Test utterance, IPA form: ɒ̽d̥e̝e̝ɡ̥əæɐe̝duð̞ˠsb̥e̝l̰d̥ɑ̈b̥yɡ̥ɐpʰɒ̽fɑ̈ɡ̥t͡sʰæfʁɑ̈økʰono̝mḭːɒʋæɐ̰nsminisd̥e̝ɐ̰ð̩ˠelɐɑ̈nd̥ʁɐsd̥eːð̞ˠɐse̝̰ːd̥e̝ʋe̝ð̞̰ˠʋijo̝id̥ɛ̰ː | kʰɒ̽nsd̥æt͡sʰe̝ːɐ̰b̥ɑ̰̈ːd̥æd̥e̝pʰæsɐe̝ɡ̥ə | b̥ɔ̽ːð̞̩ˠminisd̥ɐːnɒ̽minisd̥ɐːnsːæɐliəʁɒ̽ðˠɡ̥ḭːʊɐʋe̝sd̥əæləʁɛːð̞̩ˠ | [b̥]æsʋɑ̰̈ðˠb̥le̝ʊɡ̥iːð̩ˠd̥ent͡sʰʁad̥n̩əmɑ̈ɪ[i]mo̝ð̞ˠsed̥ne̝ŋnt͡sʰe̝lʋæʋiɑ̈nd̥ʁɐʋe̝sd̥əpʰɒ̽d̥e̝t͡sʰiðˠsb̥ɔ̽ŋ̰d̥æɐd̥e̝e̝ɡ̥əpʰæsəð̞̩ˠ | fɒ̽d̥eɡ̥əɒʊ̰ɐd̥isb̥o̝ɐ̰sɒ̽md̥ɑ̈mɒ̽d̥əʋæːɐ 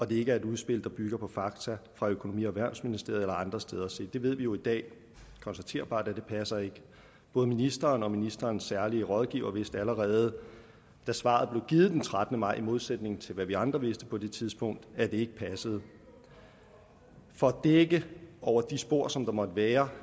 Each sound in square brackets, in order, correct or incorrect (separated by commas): incorrect, correct